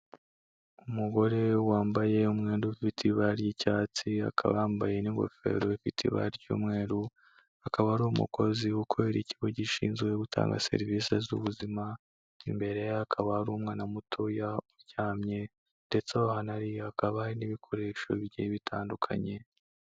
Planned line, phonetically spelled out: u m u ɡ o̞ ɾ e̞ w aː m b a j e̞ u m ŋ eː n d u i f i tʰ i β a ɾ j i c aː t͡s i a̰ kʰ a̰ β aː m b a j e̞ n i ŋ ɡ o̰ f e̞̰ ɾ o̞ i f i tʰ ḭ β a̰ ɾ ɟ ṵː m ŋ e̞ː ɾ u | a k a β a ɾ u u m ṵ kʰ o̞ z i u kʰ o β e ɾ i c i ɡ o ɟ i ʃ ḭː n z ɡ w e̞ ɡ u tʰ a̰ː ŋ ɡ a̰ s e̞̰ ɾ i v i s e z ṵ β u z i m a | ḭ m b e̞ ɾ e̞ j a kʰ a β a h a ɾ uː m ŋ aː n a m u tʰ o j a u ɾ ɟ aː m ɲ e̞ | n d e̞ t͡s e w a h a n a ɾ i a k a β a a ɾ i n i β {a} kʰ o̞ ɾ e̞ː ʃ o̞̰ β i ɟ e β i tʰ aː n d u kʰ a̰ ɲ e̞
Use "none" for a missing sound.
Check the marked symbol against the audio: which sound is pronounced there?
i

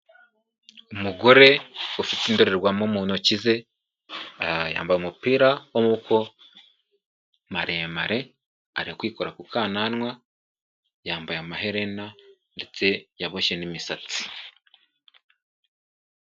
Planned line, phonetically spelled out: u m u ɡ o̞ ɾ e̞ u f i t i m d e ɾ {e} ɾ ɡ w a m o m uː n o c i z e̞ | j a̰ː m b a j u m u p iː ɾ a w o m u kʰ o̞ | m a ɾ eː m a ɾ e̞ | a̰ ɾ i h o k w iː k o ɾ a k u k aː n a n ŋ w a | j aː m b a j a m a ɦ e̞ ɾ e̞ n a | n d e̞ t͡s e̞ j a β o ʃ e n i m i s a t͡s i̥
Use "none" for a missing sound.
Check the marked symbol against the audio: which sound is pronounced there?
e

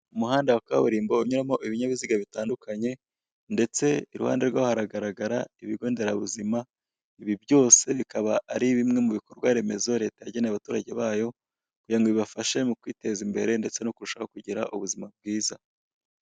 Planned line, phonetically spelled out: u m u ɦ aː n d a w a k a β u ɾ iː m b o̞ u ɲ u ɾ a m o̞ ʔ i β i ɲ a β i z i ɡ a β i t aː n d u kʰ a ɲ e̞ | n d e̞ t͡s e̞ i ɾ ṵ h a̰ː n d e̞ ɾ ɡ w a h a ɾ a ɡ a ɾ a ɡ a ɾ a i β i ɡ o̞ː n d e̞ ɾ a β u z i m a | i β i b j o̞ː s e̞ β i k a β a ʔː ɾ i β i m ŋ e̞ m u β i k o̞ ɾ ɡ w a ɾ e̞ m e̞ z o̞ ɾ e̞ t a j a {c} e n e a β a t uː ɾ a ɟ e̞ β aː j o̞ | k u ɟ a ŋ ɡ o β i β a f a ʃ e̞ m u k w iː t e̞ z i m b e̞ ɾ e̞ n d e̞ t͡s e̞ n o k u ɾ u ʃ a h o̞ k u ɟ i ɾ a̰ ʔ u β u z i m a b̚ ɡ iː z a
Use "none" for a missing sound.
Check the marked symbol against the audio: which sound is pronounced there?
ɟ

